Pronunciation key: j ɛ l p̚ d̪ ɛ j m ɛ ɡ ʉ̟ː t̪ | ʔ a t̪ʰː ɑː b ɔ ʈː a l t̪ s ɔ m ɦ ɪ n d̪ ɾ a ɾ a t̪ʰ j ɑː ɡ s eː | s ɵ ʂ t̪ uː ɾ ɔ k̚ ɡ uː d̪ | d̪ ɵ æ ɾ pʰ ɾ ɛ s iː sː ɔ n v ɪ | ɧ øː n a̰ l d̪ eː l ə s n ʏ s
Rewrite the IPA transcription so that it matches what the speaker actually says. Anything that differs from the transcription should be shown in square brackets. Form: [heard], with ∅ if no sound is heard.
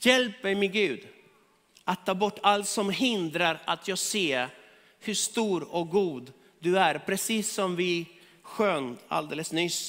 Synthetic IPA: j ɛ l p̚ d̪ ɛ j m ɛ ɡ ʉ̟ː [d̪] | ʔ a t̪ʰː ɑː b ɔ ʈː a l t̪ s ɔ m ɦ ɪ n d̪ ɾ a ɾ a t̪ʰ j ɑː ɡ s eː | [h] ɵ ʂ t̪ uː ɾ ɔ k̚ ɡ uː d̪ | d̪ ɵ æ ɾ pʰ ɾ ɛ s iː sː ɔ [m] v ɪ | ɧ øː n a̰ l d̪ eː l ə s n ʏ s